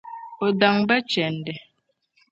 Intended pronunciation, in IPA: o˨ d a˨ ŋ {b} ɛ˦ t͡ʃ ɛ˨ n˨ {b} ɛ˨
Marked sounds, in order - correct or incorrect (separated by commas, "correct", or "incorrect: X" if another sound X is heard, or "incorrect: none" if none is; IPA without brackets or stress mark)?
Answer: correct, incorrect: d